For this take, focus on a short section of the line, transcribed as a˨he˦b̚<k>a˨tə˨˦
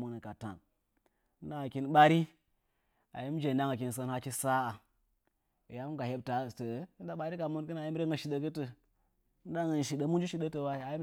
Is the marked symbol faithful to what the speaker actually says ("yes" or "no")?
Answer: no